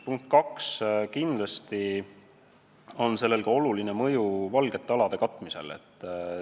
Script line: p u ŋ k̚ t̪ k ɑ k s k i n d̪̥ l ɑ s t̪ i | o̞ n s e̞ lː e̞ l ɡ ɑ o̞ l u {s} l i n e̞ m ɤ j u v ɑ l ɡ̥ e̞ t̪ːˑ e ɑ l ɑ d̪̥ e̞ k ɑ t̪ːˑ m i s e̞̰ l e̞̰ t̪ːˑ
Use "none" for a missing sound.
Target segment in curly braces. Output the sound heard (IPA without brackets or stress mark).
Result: none